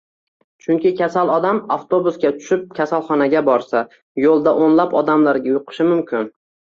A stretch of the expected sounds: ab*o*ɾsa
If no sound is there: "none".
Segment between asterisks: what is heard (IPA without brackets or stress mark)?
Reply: ɒ